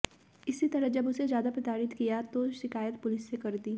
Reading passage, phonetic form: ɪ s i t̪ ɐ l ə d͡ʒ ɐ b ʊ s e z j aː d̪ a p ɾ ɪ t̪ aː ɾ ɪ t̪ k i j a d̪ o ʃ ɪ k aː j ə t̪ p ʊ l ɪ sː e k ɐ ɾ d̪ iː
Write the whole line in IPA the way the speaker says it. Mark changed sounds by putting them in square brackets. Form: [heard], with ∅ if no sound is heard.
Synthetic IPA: ɪ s i t̪ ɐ [ɾ] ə d͡ʒ ɐ b ʊ s e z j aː d̪ a p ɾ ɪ t̪ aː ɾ ɪ t̪ k i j a [t̪] o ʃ ɪ k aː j ə t̪ p ʊ l ɪ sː e k ɐ ɾ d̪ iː

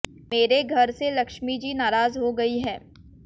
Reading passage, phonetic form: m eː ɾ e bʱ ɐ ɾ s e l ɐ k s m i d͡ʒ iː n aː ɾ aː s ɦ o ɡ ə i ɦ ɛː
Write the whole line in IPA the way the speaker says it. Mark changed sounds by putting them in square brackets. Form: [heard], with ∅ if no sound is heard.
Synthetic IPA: m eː ɾ e [ɡʱ] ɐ ɾ s e l ɐ k [ʃ] m i d͡ʒ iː n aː ɾ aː [z] ɦ o ɡ [ɐ] i ɦ ɛː

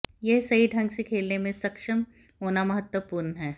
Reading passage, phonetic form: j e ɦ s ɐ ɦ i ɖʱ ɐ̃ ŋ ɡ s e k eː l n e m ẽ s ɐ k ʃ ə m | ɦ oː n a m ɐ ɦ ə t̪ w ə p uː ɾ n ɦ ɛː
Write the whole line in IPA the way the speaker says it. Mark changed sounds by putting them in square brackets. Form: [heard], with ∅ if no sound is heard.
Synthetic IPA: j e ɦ s ɐ ɦ i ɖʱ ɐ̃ ŋ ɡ s e [kʰ] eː l n e m ẽ s ɐ k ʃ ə m | ɦ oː n a m ɐ ɦ ə t̪ w ə p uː ɾ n ɦ ɛː

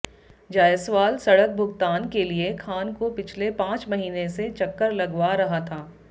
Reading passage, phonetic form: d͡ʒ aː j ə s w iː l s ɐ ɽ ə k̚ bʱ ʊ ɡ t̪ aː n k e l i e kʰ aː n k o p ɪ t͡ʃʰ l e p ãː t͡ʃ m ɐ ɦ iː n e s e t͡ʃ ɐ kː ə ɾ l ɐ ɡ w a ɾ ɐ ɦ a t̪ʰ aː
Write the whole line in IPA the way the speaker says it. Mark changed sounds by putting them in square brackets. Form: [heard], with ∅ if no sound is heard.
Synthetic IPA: d͡ʒ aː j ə s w [aː] l s ɐ ɽ ə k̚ bʱ ʊ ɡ t̪ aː n k e l i e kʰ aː n k o p ɪ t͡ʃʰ l e p ãː t͡ʃ m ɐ ɦ iː n e s e t͡ʃ ɐ kː ə ɾ l ɐ ɡ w a ɾ ɐ ɦ a t̪ʰ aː

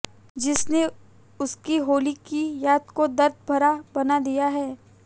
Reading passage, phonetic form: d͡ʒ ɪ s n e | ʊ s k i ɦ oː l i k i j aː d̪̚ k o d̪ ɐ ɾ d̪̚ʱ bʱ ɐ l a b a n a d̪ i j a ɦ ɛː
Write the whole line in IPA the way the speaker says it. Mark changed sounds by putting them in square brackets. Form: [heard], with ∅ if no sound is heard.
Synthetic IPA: d͡ʒ ɪ s n e | ʊ s k i ɦ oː l i k i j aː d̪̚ k o d̪ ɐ ɾ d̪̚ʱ bʱ ɐ [ɾ] a b [ɐ] n a d̪ i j a ɦ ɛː

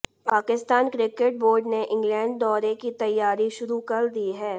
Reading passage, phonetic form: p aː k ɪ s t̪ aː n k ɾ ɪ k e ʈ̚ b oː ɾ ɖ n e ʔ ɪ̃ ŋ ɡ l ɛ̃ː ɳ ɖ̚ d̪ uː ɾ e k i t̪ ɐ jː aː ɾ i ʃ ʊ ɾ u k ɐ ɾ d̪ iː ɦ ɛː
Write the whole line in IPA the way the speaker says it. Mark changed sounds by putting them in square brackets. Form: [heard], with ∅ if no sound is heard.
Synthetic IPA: p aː k ɪ s t̪ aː n k ɾ ɪ k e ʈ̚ b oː ɾ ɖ n e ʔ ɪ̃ ŋ ɡ l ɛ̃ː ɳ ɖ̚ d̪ [ɔː] ɾ e k i t̪ ɐ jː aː ɾ i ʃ ʊ ɾ u k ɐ ɾ d̪ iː ɦ ɛː

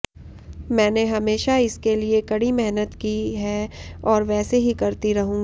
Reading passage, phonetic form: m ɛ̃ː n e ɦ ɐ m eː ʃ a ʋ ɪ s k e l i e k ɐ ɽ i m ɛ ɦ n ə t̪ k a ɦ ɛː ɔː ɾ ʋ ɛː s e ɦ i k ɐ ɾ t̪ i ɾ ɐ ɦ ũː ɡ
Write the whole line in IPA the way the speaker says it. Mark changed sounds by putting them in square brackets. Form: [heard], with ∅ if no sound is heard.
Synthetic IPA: m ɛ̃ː n e ɦ ɐ m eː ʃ a [∅] ɪ s k e l i e k ɐ ɽ i m ɛ ɦ n ə t̪ k [i] ɦ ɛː ɔː ɾ ʋ ɛː s e ɦ i k ɐ ɾ t̪ i ɾ ɐ ɦ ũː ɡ

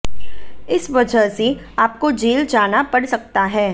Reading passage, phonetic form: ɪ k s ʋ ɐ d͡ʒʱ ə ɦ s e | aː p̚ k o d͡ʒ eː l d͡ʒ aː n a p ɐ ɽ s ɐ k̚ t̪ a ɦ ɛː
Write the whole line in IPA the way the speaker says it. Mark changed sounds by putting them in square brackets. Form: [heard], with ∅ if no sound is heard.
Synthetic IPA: ɪ [∅] s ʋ ɐ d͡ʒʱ ə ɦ s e | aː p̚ k o d͡ʒ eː l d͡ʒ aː n a p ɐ ɽ s ɐ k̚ t̪ a ɦ ɛː

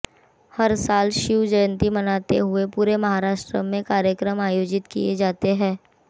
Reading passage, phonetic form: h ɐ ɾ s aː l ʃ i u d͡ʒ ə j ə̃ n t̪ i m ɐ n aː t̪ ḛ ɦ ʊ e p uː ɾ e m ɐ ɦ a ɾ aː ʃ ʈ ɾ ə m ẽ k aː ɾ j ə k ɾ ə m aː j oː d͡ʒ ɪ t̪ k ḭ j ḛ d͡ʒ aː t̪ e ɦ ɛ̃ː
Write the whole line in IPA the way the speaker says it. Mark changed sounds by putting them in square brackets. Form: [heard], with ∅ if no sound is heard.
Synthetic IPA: h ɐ ɾ s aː l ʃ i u d͡ʒ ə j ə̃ n t̪ i m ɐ n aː t̪ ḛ ɦ ʊ e p uː ɾ e m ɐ ɦ a ɾ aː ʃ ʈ ɾ ə m ẽ k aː ɾ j ə k ɾ ə m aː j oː d͡ʒ ɪ t̪ k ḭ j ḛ d͡ʒ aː t̪ e ɦ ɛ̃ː

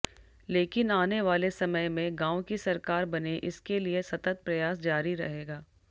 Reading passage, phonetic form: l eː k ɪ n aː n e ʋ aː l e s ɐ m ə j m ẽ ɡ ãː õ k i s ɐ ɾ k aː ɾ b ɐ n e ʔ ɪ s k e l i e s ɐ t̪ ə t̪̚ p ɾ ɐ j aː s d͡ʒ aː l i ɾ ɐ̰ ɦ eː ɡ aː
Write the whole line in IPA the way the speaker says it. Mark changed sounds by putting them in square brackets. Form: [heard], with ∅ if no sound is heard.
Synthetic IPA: l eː k ɪ n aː n e ʋ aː l e s ɐ m ə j m ẽ ɡ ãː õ k i s ɐ ɾ k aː ɾ b ɐ n e ʔ ɪ s k e l i e s ɐ t̪ ə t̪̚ p ɾ ɐ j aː s d͡ʒ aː [ɾ] i ɾ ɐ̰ ɦ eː ɡ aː

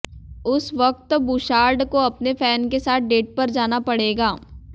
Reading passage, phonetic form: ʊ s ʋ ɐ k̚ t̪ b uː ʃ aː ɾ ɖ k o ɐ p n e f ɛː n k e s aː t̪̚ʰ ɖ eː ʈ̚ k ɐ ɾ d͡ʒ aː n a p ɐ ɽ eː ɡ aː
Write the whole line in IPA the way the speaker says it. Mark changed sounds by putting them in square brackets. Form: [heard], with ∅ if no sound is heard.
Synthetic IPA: ʊ s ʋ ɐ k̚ t̪ b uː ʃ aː ɾ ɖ k o ɐ p n e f ɛː n k e s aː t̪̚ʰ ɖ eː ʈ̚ [p] ɐ ɾ d͡ʒ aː n a p ɐ ɽ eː ɡ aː

